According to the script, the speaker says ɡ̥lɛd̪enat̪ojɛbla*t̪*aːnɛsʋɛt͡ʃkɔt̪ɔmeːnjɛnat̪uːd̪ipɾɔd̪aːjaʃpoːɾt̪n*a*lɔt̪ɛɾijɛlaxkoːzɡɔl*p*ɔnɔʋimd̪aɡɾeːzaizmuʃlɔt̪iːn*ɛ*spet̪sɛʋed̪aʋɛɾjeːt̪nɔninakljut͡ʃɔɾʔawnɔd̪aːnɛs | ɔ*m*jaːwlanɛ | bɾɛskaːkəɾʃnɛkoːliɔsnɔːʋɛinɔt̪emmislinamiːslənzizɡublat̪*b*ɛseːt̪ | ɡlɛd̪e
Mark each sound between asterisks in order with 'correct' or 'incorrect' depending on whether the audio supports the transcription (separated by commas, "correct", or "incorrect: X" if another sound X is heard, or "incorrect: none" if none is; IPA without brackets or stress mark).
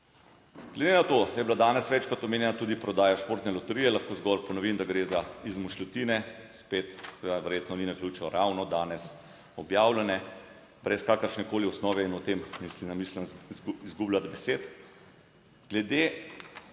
incorrect: d̪, incorrect: ɛ, correct, correct, incorrect: b, correct